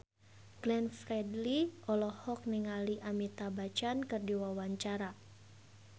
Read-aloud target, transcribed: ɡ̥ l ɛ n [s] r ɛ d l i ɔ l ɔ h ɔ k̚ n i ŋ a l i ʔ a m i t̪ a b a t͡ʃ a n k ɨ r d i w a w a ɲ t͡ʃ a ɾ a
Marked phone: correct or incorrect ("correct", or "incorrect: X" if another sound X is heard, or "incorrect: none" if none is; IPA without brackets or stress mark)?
incorrect: f